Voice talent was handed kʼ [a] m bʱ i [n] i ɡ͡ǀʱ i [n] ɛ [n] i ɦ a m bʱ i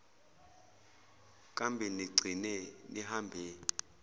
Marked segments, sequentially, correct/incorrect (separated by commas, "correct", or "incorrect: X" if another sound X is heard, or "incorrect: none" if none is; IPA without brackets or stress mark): correct, correct, correct, correct